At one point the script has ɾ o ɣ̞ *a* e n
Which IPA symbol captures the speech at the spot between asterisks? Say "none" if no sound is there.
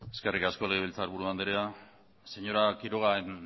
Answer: a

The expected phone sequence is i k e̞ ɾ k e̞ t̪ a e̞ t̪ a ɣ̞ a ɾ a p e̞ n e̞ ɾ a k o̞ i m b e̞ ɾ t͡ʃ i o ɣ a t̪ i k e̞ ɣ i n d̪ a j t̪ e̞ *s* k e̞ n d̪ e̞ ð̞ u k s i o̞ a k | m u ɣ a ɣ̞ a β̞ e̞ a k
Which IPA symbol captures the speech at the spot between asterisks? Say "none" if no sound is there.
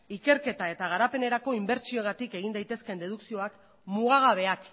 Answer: s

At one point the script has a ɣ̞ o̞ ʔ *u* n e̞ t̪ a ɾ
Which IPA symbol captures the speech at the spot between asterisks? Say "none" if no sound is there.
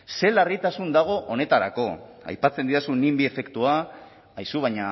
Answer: o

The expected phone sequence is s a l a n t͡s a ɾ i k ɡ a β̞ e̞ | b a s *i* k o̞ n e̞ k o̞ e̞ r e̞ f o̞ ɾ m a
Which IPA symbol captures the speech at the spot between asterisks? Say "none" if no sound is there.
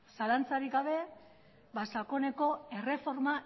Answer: a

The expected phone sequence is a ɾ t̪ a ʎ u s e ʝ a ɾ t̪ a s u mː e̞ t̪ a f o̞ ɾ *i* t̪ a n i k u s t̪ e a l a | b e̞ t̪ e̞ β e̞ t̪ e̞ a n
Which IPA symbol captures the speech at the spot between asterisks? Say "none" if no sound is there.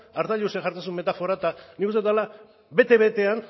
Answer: a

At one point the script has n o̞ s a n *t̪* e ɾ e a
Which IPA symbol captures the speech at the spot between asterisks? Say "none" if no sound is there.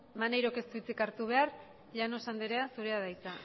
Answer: d̪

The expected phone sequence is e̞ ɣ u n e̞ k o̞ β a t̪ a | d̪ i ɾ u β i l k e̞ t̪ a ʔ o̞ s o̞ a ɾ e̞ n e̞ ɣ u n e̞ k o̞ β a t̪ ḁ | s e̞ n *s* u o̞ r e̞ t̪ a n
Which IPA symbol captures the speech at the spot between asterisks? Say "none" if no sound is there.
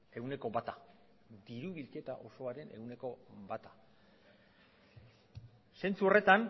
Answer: t͡s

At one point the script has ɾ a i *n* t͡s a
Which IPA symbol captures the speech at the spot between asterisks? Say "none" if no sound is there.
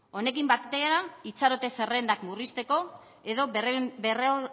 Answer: none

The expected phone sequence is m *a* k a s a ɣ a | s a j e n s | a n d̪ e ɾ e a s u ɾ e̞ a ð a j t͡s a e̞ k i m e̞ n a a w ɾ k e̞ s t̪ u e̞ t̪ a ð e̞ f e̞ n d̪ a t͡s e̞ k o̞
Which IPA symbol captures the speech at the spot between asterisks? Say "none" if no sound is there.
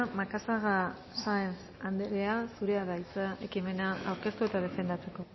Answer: a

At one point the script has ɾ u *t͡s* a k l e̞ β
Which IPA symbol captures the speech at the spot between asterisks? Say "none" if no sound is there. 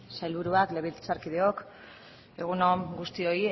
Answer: none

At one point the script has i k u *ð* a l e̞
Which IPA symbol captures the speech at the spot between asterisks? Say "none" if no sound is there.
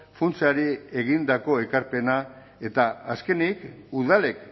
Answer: ð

